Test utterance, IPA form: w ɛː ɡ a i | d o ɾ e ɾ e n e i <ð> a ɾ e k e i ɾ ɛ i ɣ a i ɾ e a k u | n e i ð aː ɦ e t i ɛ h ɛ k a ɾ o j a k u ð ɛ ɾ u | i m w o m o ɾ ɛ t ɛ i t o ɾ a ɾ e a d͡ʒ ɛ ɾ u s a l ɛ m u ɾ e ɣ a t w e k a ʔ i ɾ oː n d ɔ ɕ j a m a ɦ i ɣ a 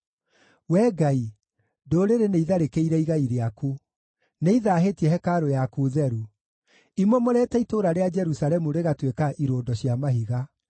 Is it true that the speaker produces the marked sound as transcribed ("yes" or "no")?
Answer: yes